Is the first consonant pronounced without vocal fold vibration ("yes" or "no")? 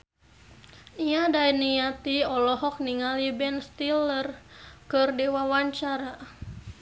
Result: no